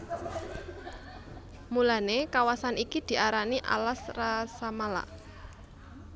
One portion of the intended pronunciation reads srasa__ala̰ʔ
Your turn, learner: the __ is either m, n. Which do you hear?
m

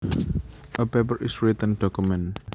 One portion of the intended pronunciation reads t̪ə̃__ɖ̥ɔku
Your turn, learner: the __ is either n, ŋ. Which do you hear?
n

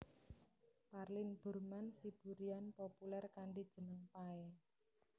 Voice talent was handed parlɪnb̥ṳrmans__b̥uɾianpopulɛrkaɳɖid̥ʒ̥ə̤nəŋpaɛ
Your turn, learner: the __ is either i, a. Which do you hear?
i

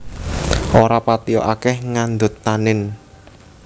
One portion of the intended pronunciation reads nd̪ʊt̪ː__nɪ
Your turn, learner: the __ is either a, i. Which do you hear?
a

